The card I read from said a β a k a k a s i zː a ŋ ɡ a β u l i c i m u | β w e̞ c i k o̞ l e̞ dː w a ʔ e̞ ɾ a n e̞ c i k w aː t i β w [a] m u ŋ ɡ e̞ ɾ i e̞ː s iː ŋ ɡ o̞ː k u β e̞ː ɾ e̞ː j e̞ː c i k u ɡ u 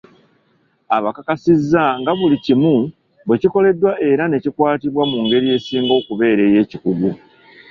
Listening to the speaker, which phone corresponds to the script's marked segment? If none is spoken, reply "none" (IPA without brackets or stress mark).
a